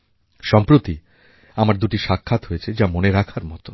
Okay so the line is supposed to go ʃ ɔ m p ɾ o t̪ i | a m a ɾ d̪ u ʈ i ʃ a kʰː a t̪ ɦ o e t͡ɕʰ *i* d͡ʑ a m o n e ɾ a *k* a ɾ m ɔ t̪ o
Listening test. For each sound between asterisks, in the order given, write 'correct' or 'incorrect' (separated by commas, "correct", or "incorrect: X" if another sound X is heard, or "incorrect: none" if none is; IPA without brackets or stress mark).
incorrect: e, incorrect: kʰ